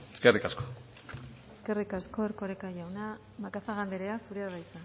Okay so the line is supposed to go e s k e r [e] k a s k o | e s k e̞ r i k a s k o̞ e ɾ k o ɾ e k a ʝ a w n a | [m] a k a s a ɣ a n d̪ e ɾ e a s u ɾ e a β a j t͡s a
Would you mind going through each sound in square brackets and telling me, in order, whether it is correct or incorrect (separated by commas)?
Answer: incorrect, correct